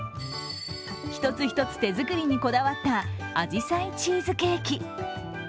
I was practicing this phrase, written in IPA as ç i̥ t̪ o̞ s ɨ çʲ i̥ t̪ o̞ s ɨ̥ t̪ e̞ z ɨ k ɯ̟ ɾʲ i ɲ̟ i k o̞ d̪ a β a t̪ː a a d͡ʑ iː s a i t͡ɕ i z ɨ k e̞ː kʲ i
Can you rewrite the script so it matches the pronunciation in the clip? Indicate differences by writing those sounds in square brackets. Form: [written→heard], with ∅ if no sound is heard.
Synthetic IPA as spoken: ç i̥ t̪ o̞ [s→t͡s] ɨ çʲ i̥ t̪ o̞ [s→t͡s] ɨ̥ t̪ e̞ z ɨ k ɯ̟ ɾʲ i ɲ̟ i k o̞ d̪ a β a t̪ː a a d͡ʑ [iː→i] s a i t͡ɕ [i→iː] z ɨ k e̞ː kʲ i